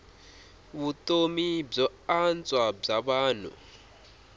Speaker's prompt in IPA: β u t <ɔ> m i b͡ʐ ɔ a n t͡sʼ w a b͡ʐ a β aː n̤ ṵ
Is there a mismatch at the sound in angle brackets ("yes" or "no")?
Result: yes